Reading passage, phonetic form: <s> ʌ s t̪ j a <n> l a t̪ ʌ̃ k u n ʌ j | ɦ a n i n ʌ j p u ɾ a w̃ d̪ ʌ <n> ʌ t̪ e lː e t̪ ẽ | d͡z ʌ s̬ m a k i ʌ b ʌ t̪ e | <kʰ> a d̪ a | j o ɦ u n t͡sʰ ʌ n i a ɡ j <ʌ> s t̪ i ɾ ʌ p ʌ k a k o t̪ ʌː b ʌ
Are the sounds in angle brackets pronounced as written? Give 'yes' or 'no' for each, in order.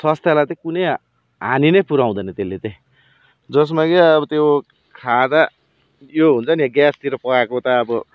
yes, no, yes, yes, no

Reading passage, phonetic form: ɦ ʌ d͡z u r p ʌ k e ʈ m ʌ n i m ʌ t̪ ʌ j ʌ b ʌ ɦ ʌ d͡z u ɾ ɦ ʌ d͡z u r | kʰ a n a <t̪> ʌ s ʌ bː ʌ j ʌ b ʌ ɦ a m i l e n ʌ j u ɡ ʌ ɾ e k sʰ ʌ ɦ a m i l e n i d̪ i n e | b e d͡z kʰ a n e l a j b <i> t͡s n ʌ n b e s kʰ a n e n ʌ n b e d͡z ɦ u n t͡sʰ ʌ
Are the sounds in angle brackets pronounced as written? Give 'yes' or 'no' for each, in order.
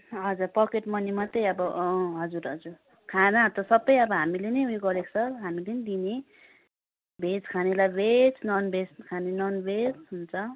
yes, no

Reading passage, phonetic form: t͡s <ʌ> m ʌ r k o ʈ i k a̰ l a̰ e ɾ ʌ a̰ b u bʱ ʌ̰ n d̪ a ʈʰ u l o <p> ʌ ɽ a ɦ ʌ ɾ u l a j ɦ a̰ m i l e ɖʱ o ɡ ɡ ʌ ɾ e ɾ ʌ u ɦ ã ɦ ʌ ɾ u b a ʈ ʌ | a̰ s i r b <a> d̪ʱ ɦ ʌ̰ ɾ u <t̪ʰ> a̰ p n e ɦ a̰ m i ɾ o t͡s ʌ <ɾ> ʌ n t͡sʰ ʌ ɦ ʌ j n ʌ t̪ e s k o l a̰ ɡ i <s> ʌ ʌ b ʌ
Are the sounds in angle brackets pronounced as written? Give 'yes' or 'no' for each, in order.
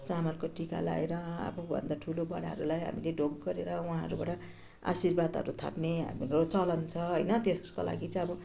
no, no, yes, yes, no, no

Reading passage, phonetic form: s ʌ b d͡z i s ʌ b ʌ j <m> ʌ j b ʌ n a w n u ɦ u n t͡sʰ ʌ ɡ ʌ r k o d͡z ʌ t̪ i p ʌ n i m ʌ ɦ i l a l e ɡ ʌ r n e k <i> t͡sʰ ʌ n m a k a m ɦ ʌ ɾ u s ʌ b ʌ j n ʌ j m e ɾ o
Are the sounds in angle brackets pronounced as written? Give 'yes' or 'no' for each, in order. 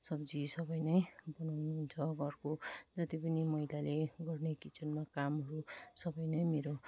no, yes

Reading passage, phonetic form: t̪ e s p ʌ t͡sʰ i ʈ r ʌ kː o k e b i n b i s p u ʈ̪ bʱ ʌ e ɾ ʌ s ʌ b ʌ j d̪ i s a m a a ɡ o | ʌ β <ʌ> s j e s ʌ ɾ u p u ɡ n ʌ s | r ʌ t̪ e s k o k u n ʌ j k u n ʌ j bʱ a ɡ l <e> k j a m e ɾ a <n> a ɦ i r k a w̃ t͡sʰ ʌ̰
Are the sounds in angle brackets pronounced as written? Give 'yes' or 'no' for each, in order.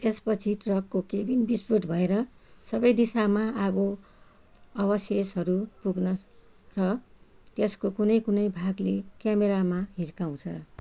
yes, yes, no

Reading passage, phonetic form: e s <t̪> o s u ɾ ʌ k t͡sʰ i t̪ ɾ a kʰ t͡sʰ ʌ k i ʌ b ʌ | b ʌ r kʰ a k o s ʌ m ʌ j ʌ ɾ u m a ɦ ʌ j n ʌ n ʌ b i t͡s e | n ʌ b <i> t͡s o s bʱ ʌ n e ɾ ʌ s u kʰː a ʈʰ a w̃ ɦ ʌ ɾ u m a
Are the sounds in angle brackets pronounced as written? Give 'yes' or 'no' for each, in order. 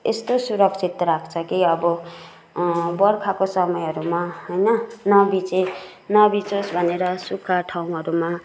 yes, yes

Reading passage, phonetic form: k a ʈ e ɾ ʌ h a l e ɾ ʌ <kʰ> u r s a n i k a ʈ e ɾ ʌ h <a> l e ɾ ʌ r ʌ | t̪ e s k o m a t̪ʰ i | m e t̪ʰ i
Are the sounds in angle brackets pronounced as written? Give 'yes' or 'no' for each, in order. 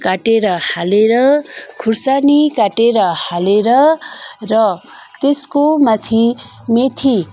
yes, yes

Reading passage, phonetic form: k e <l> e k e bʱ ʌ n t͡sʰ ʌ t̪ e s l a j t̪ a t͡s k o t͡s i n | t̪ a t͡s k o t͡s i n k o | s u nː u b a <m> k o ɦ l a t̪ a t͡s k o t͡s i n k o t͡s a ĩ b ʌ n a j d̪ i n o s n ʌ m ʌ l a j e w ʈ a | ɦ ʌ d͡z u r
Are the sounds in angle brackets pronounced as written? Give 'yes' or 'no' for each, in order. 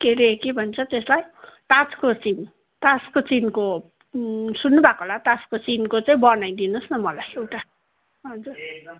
no, no

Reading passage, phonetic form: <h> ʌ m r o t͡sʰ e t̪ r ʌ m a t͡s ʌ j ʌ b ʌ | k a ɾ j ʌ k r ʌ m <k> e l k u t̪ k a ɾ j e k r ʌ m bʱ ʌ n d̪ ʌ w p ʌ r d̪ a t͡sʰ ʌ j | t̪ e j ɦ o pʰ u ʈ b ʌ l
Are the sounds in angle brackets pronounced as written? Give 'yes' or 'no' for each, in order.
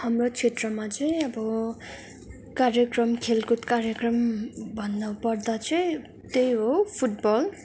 yes, no

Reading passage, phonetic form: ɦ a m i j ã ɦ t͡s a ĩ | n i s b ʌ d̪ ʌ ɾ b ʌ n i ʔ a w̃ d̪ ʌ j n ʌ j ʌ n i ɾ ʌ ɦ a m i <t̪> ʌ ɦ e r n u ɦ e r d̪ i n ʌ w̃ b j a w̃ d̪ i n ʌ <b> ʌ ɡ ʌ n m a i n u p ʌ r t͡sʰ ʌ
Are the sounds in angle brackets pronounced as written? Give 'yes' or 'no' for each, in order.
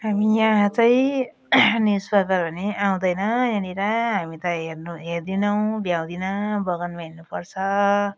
yes, yes

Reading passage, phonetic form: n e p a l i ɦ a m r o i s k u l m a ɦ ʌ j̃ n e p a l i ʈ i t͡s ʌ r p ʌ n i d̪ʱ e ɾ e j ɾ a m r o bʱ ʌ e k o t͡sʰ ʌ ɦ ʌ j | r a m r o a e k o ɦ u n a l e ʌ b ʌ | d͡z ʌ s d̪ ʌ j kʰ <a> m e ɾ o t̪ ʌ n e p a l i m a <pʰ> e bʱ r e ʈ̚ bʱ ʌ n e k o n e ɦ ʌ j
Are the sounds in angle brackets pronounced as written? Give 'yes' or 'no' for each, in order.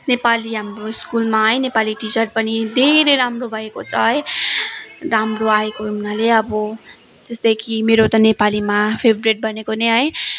no, yes

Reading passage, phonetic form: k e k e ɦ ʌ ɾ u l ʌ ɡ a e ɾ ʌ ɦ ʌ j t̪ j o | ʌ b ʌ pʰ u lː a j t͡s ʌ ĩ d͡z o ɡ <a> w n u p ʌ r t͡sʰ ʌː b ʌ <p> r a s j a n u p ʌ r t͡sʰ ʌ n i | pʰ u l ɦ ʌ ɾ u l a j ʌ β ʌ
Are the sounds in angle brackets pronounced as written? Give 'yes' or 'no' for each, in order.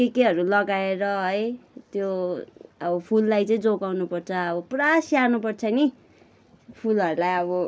yes, yes

